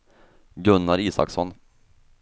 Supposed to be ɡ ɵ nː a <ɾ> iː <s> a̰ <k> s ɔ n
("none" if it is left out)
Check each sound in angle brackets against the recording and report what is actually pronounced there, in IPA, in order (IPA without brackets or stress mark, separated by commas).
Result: ɾ, s, k